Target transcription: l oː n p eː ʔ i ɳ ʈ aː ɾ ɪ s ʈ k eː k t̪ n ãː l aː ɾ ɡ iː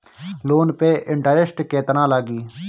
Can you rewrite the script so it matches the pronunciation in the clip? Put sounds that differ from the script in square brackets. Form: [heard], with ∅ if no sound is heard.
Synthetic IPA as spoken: l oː n p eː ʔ [ɪ] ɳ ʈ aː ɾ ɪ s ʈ k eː [∅] t̪ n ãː l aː [∅] ɡ iː